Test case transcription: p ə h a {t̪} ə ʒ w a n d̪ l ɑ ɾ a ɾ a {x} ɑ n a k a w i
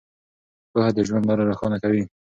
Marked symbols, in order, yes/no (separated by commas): no, yes